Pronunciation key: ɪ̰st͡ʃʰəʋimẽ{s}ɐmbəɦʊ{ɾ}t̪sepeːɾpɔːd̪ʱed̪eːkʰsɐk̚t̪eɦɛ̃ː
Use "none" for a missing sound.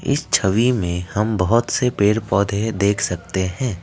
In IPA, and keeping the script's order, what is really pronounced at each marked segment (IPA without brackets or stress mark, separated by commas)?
h, none